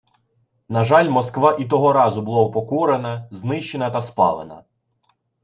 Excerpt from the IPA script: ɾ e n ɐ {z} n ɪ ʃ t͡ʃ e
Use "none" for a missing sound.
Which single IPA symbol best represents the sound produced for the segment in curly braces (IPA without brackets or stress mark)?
z